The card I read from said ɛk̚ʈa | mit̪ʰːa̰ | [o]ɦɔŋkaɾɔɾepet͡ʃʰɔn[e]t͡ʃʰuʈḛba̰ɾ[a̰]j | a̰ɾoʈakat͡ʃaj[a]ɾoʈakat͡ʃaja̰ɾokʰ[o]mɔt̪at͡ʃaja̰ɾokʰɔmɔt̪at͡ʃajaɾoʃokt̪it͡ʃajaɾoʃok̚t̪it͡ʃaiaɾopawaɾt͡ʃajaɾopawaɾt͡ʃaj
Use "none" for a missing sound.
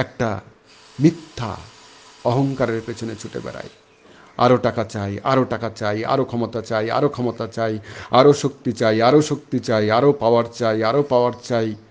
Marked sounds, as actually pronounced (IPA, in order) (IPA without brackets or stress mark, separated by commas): ɔ, e, a̰, a, ɔ